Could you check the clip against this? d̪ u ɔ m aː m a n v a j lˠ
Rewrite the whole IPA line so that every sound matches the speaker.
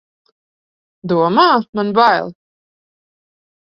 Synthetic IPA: d̪ u ɔ m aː m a n b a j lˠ

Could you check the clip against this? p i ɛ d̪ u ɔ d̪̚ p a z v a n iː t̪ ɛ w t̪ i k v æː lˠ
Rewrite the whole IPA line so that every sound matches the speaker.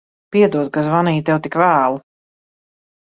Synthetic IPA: p i ɛ d̪ u ɔ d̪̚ k a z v a n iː t̪ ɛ w t̪ i k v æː lˠ

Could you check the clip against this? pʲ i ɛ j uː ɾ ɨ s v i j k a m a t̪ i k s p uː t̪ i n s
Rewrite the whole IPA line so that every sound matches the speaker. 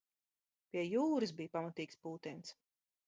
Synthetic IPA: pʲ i ɛ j uː ɾ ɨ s b i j p a m a t̪ iː k s p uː t̪ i n s

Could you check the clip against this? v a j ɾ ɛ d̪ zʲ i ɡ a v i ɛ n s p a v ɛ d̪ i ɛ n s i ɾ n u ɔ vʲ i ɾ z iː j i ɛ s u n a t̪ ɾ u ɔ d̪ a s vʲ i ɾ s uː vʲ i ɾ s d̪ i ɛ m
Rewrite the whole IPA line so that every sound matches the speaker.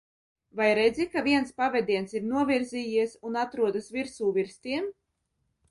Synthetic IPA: v a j ɾ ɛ d̪ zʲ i k a v i ɛ n s p a v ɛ d̪ i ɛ n s i ɾ n u ɔ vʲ i ɾ z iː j i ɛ s u n a t̪ ɾ u ɔ d̪ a s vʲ i ɾ s uː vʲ i ɾ s t̪ i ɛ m

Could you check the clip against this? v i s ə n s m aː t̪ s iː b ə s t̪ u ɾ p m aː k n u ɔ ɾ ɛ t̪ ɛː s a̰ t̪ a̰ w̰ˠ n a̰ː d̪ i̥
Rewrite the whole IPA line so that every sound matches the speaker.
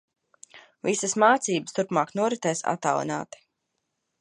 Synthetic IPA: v i s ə s m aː t̪ s iː b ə s t̪ u ɾ p m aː k n u ɔ ɾ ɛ t̪ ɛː s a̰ t̪ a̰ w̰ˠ n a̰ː t̪ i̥

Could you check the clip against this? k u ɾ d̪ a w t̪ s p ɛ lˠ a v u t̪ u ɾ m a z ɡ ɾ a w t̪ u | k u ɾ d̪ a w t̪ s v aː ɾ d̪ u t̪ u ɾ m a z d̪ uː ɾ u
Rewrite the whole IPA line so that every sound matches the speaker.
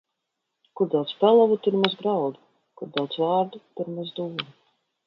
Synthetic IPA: k u ɾ d̪ a w t̪ s p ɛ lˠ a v u t̪ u ɾ m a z ɡ ɾ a w d̪ u | k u ɾ d̪ a w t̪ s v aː ɾ d̪ u t̪ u ɾ m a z d̪ uː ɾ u

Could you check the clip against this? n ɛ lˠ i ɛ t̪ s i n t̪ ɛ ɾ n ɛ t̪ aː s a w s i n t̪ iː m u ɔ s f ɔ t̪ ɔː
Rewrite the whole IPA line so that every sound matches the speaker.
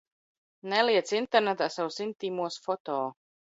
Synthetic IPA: n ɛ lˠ i ɛ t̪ s i n t̪ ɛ ɾ n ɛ t̪ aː s a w s i n t̪ iː m u ɔ s f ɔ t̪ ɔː

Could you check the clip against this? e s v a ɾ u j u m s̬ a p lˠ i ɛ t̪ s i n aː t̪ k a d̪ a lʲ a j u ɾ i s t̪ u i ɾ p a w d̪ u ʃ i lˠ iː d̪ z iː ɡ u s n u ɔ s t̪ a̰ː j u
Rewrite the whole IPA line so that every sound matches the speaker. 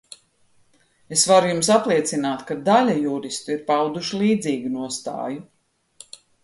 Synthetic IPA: e s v a ɾ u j u m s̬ a p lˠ i ɛ t̪ s i n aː t̪ k a d̪ a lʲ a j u ɾ i s t̪ u i ɾ p a w d̪ u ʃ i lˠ iː d̪ z iː ɡ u n u ɔ s t̪ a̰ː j u

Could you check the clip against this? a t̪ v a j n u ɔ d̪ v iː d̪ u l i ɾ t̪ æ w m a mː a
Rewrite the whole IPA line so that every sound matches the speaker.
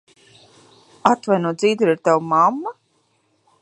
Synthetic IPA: a t̪ v a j n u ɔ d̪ z iː d̪ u ɾ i ɾ t̪ a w m a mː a

